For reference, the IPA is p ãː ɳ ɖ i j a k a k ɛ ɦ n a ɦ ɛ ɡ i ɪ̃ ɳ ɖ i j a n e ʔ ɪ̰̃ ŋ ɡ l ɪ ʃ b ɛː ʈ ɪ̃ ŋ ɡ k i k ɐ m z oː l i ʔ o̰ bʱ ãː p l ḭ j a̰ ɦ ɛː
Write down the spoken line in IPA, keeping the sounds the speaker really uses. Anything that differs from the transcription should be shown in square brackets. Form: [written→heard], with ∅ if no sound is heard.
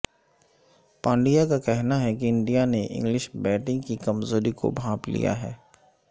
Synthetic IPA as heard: p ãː ɳ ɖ i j a k a k ɛ ɦ n a ɦ ɛ [ɡ→k] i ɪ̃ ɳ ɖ i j a n e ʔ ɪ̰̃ ŋ ɡ l ɪ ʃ b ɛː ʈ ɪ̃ ŋ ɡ k i k ɐ m z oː [l→ɾ] i [ʔ→k] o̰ bʱ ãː p l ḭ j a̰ ɦ ɛː